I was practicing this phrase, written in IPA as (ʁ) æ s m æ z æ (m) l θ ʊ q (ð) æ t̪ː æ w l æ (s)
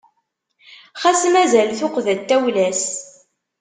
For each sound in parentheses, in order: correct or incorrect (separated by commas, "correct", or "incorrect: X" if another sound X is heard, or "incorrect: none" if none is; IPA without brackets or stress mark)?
incorrect: χ, incorrect: none, correct, correct